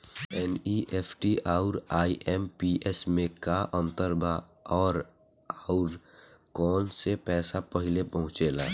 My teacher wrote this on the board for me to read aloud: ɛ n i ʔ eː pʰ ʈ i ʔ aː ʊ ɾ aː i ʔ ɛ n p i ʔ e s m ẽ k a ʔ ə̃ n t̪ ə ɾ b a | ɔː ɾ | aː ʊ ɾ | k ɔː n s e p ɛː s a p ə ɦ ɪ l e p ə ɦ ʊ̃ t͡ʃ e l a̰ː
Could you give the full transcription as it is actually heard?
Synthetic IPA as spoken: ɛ n i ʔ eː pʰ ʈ i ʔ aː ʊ ɾ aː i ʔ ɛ m p i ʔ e s m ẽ k a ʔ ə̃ n t̪ ə ɾ b a | ɔː ɾ | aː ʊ ɾ | k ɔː n s e p ɛː s a p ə ɦ ɪ l e p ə ɦ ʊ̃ t͡ʃ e l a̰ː